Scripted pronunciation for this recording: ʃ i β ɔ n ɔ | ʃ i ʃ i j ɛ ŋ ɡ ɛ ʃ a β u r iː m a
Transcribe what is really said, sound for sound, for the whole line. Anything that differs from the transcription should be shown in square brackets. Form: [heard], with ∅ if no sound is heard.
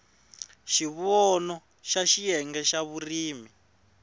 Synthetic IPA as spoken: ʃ i β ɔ n ɔ | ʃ [a] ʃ i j ɛ ŋ ɡ ɛ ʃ a β u r iː m [i]